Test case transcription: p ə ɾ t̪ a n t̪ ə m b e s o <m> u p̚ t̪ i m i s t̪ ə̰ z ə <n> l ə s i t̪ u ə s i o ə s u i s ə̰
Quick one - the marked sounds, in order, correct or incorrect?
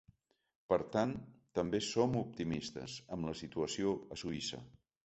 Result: correct, incorrect

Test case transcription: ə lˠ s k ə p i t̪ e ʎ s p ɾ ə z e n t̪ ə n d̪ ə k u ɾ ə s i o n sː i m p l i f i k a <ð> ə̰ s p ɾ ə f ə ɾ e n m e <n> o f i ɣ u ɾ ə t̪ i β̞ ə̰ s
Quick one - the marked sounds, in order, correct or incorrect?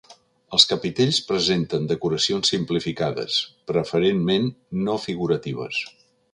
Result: correct, incorrect

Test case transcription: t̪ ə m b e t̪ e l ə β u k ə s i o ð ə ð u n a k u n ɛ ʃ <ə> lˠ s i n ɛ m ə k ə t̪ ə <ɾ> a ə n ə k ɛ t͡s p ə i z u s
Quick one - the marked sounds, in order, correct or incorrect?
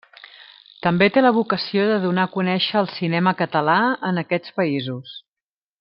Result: incorrect, incorrect

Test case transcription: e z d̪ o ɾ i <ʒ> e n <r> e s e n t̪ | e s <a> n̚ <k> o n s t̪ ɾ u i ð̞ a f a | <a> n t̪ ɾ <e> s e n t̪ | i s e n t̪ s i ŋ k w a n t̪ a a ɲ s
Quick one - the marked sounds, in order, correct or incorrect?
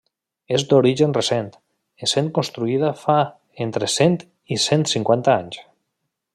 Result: correct, correct, incorrect, correct, incorrect, correct

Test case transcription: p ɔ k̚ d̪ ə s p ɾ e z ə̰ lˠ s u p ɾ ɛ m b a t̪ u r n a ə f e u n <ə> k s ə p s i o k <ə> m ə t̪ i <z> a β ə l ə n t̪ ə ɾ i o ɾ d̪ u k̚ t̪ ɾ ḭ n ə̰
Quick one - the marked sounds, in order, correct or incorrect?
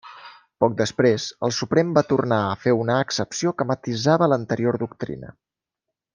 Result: incorrect, correct, correct

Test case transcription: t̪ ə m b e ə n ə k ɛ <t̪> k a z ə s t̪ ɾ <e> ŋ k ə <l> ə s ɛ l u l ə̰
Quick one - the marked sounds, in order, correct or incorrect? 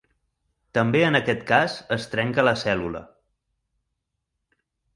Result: correct, incorrect, correct

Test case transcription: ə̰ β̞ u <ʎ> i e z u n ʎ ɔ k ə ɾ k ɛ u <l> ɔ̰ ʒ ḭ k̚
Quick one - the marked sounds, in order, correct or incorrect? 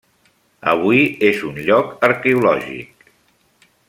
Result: incorrect, correct

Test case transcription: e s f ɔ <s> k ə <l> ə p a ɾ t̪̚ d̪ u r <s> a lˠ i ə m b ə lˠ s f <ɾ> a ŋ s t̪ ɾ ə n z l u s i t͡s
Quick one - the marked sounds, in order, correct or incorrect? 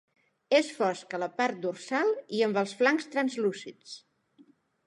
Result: correct, correct, correct, incorrect

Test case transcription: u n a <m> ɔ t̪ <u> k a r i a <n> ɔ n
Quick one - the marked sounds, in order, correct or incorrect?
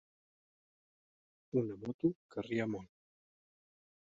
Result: correct, correct, incorrect

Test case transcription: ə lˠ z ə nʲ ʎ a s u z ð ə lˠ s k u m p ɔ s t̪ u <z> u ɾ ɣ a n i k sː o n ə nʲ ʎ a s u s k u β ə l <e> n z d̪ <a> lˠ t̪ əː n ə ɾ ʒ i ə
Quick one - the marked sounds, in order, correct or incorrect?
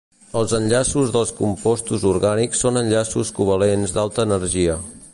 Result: correct, correct, correct

